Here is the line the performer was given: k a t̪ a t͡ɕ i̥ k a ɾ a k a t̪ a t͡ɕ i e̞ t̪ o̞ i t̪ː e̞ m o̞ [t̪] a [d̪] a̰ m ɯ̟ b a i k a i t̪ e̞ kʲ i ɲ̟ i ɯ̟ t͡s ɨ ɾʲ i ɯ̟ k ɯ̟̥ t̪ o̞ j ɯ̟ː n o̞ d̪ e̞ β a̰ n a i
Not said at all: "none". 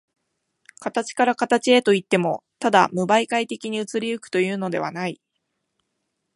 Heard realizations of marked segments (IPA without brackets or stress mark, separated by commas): t̪, d̪